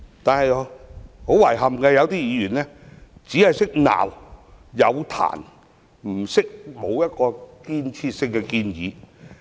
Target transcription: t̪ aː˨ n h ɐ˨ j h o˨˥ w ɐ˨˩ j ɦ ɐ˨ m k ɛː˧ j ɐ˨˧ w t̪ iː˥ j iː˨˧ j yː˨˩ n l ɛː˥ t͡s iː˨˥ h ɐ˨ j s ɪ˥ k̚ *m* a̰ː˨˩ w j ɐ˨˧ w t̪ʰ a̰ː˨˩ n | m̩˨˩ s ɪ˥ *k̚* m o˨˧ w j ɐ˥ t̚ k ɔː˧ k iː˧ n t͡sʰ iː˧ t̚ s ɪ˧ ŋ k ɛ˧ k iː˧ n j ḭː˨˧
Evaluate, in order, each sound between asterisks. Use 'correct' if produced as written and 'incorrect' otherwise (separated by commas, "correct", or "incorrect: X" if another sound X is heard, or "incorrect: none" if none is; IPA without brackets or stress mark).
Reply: incorrect: n, correct